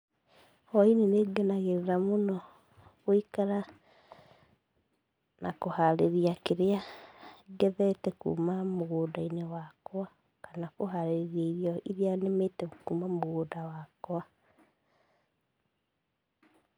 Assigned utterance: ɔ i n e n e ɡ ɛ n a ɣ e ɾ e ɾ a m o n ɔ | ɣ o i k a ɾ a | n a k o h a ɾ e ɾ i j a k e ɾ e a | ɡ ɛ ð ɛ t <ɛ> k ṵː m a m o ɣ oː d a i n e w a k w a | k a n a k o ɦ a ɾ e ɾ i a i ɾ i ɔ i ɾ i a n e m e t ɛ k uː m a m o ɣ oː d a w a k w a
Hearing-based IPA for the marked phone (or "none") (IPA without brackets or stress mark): ɛ